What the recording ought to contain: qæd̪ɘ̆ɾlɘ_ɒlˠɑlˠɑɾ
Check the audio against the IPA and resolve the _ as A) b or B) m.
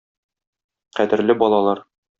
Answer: A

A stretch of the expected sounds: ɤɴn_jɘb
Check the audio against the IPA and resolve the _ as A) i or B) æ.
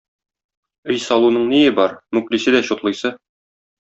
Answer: A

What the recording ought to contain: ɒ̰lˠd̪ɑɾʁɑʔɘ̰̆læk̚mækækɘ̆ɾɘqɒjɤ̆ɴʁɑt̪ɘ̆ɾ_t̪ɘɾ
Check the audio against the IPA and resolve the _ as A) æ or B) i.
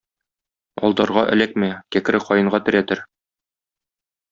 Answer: A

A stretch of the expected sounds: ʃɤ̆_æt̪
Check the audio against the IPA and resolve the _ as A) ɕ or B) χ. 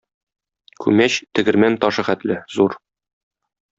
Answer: B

